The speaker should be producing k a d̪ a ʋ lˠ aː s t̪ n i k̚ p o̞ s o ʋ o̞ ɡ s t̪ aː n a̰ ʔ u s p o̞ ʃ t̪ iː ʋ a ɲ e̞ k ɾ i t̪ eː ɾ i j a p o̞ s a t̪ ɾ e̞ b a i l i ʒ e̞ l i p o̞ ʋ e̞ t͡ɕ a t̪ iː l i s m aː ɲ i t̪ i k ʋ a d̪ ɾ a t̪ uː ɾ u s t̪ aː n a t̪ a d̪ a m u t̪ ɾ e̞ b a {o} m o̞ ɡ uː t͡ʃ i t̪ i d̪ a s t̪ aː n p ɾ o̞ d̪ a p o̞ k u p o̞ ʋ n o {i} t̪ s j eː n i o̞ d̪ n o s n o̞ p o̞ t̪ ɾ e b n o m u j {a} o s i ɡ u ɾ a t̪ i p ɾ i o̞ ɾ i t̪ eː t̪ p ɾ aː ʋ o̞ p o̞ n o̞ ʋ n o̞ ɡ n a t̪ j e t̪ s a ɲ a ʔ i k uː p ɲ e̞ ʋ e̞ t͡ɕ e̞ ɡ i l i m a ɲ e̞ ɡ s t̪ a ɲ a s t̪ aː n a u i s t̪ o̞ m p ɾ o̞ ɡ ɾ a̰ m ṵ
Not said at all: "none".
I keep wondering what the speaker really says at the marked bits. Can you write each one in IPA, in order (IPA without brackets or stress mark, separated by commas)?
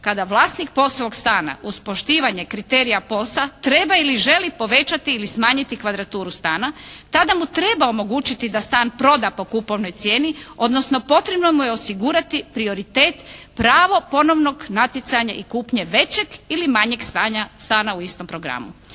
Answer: o, j, e